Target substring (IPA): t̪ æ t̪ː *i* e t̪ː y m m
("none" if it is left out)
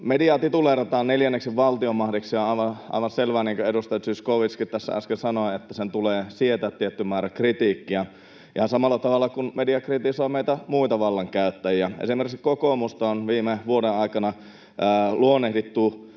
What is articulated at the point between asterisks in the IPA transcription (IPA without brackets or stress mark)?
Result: i